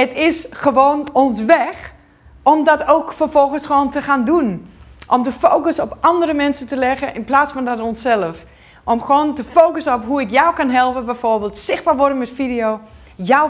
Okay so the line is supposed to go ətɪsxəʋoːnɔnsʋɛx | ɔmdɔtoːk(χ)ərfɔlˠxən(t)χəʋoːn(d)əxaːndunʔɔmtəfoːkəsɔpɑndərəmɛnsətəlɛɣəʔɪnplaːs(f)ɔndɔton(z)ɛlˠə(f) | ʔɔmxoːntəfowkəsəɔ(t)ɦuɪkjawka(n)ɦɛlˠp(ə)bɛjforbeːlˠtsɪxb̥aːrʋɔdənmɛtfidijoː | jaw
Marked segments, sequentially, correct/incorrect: incorrect, incorrect, incorrect, correct, incorrect, correct, incorrect, correct, correct

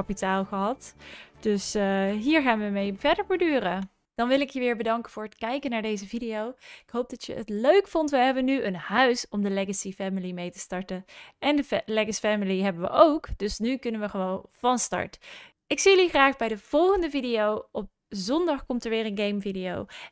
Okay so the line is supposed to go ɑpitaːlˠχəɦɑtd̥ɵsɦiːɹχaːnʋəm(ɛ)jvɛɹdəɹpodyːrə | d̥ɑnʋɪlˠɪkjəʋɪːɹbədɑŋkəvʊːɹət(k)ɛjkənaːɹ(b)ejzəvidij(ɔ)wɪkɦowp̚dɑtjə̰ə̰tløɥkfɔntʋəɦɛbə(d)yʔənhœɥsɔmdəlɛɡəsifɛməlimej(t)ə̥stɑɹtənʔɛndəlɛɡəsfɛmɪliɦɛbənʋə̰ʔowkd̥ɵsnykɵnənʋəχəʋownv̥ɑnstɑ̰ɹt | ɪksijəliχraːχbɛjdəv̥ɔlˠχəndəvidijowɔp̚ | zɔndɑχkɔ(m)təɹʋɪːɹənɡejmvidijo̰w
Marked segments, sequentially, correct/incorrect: incorrect, correct, incorrect, incorrect, incorrect, correct, correct

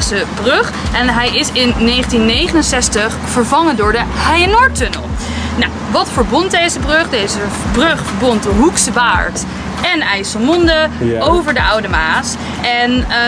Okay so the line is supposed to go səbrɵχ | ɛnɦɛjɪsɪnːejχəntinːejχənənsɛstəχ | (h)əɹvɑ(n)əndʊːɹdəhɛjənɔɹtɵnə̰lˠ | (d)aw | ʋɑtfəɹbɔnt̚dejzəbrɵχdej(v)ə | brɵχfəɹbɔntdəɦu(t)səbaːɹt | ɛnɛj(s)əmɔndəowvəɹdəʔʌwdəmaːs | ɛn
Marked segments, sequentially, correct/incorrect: incorrect, incorrect, incorrect, incorrect, incorrect, correct

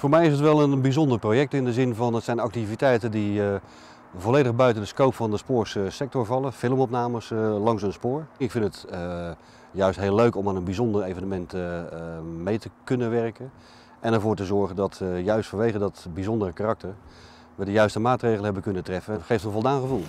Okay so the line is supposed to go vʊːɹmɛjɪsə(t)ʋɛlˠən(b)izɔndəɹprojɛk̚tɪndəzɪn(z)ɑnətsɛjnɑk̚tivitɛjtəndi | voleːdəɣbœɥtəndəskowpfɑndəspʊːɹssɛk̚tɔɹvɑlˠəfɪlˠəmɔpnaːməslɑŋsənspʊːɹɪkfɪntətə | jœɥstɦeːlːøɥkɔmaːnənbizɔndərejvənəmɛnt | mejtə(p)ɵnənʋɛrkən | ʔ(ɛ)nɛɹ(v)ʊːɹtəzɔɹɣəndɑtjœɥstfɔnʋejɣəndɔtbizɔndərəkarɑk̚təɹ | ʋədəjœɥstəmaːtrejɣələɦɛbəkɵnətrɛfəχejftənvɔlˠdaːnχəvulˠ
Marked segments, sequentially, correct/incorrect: correct, correct, incorrect, incorrect, correct, correct

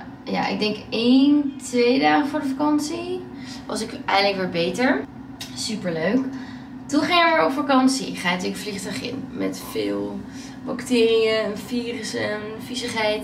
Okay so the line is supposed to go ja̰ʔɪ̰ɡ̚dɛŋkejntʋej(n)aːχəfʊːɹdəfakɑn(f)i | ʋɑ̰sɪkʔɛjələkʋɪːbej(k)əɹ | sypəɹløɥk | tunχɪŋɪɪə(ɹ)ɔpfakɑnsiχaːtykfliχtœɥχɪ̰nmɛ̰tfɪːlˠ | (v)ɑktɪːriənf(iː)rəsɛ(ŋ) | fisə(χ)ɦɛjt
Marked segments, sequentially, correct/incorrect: incorrect, incorrect, incorrect, correct, incorrect, correct, incorrect, correct

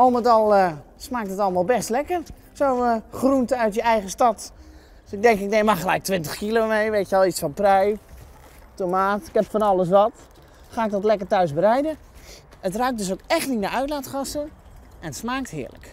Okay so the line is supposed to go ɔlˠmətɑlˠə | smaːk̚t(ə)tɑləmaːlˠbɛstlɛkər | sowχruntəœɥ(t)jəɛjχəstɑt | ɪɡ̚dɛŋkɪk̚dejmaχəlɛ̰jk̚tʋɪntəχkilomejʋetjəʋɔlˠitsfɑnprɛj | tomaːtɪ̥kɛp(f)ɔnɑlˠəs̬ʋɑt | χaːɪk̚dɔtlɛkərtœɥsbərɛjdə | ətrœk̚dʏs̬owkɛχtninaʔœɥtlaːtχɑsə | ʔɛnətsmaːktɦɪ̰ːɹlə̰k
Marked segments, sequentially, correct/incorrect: correct, correct, correct

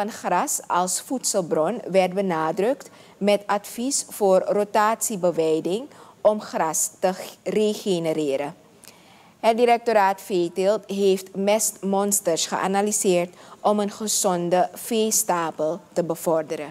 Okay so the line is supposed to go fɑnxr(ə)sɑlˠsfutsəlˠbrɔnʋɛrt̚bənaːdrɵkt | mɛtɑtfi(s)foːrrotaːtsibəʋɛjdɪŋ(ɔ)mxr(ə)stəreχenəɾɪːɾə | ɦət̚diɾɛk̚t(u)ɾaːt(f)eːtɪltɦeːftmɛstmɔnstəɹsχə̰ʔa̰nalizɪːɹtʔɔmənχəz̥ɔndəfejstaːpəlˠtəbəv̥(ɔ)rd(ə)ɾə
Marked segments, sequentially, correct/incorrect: incorrect, correct, correct, incorrect, incorrect, correct, correct, correct

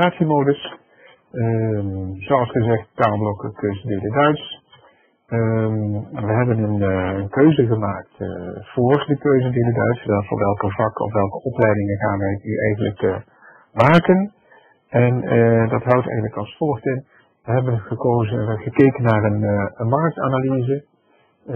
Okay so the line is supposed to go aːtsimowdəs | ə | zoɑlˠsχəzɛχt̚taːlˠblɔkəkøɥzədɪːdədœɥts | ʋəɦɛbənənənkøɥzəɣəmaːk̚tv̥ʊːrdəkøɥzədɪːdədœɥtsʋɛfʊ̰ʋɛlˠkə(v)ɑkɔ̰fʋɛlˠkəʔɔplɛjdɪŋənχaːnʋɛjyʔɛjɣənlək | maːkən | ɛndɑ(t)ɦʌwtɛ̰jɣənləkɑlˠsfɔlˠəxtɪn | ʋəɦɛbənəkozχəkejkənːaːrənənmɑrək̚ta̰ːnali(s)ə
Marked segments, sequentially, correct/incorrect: correct, correct, incorrect

